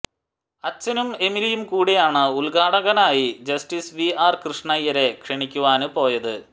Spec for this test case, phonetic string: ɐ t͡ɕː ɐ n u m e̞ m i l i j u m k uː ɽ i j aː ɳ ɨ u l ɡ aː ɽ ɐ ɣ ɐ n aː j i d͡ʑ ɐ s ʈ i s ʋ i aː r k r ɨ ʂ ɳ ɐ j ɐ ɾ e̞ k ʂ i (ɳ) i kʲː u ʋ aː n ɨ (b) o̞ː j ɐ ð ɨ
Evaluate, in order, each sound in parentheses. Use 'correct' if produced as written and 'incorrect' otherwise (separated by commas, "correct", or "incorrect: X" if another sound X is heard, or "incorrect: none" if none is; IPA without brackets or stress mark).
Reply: correct, incorrect: p